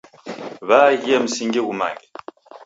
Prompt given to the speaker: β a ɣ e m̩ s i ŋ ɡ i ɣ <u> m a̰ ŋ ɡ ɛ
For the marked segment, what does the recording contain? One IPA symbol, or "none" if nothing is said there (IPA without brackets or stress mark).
u